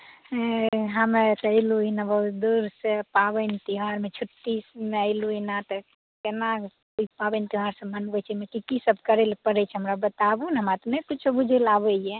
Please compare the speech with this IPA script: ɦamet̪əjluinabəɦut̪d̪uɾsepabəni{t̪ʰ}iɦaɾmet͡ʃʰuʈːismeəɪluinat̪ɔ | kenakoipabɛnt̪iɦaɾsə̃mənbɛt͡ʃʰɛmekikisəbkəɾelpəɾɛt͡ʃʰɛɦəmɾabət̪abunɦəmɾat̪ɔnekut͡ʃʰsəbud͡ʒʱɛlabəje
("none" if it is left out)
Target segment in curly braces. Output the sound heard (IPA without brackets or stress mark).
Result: t̪